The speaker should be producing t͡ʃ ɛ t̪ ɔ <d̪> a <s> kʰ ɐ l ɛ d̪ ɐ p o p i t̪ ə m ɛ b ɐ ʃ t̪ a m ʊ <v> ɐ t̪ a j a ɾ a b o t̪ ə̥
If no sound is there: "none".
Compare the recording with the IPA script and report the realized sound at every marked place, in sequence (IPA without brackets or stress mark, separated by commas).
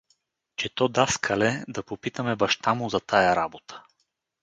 d̪, s, z